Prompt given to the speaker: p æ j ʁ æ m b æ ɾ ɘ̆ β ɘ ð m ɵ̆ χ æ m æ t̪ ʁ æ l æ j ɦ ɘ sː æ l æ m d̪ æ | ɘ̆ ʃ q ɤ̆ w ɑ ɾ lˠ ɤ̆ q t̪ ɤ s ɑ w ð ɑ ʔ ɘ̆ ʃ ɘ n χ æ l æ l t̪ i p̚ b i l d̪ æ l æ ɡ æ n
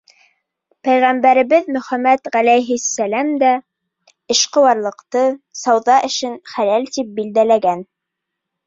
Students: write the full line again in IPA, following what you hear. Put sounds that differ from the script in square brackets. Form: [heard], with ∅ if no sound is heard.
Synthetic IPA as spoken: p æ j ʁ æ m b æ ɾ ɘ̆ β ɘ ð m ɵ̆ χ æ m æ t̪ ʁ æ l æ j ɦ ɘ sː æ l æ m d̪ æ | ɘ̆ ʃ q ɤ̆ w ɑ ɾ lˠ ɤ̆ q t̪ ɤ s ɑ w ð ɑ ʔ ɘ̆ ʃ ɘ n χ æ l æ l t̪ i p̚ b i l d̪ æ l æ ɡ æ n